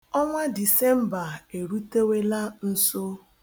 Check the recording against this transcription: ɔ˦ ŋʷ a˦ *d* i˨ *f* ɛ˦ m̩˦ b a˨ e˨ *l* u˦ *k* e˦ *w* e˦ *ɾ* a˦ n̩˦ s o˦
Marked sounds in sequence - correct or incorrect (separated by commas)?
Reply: correct, incorrect, incorrect, incorrect, correct, incorrect